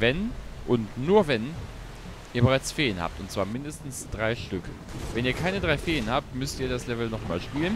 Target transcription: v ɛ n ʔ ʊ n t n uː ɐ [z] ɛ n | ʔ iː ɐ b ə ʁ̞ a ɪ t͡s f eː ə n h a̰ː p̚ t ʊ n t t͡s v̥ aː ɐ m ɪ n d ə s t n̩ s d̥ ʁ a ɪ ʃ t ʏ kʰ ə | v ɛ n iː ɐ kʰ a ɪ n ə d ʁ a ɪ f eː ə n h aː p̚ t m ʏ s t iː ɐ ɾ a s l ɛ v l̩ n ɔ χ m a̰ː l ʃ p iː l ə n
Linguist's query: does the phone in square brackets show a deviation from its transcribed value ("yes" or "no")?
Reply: yes